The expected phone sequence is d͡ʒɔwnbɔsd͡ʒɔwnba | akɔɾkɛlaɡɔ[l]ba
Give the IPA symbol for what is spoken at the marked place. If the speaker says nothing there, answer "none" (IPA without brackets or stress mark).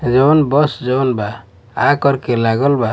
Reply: l